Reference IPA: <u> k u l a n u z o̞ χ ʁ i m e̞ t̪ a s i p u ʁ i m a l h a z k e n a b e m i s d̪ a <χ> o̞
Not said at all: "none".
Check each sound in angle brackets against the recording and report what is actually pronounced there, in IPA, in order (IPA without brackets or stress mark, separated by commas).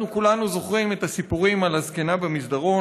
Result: u, ʁ